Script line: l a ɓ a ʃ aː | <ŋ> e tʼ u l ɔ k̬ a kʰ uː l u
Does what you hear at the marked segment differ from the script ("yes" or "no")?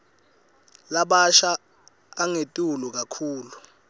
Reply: no